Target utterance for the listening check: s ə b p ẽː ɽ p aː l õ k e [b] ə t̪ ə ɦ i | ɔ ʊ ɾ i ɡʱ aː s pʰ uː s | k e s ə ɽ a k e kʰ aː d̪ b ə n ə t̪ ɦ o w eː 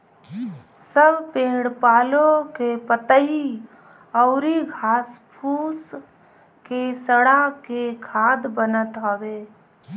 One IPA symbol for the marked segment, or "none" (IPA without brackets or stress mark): p